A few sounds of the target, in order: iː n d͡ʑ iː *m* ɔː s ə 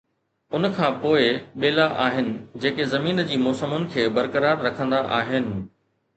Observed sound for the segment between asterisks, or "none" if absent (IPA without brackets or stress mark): m